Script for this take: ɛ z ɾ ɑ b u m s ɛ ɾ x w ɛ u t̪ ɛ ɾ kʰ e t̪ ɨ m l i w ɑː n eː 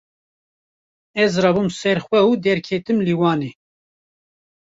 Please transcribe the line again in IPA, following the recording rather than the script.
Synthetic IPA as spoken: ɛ z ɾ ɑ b u m s ɛ ɾ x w ɛ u d̪ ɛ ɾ kʰ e t̪ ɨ m l i w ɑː n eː